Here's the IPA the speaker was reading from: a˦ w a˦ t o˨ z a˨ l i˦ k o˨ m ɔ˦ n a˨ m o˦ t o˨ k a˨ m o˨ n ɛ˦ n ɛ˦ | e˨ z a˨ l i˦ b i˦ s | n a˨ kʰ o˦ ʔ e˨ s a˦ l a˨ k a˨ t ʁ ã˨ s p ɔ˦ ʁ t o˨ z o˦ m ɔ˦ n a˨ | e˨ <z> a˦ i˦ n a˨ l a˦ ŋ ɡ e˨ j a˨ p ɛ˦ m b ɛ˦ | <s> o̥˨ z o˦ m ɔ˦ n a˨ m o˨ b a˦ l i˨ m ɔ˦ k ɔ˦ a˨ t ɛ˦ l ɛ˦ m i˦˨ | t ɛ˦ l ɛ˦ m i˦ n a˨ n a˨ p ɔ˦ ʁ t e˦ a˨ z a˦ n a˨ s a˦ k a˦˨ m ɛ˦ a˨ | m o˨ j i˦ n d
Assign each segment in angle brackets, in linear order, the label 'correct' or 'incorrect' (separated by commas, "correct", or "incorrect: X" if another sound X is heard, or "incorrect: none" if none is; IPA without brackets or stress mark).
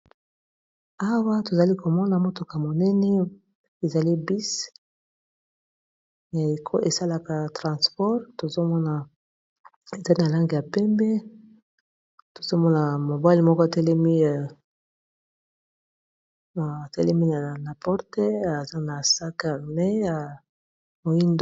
correct, incorrect: t